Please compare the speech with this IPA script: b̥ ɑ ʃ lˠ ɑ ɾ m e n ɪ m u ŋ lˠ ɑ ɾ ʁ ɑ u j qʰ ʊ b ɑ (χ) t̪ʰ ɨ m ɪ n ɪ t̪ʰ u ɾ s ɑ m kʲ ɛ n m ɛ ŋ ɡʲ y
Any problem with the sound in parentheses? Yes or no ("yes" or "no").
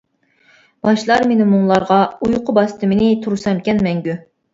yes